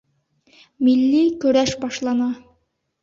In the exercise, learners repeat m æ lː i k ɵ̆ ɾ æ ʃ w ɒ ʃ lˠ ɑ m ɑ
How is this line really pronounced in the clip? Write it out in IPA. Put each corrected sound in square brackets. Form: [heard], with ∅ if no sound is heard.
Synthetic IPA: m [i] lː i k ɵ̆ ɾ æ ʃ [b] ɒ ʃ lˠ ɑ [n] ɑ